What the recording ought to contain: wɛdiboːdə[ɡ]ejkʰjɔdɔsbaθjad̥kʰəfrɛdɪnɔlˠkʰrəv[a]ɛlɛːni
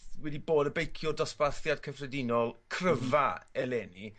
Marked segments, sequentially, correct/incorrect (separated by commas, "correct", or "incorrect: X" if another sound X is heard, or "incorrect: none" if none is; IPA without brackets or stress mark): incorrect: b, correct